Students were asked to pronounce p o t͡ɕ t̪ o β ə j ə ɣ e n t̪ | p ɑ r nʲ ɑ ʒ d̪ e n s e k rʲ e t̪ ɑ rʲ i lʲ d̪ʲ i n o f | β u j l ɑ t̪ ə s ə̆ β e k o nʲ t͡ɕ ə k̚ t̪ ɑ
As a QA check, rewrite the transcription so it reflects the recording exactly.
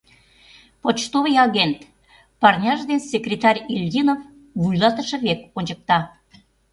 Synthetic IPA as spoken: p o t͡ɕ t̪ o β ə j ɑ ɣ e n t̪ | p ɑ r nʲ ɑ ʒ d̪ e n s e k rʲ e t̪ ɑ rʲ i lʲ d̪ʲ i n o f | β u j l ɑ t̪ ə ʃ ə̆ β e k o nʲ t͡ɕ ə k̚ t̪ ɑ